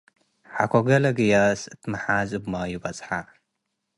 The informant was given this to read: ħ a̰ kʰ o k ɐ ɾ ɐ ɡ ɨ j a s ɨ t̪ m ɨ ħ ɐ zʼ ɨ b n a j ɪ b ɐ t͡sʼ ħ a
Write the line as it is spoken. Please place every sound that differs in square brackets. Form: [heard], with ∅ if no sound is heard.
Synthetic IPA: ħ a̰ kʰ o [ɡ] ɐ [l] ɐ ɡ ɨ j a s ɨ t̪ m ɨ ħ [a] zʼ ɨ b [m] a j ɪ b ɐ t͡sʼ ħ a